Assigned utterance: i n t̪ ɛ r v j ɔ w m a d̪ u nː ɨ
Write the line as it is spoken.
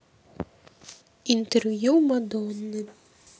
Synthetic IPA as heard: i n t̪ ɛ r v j u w m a d̪ ɔ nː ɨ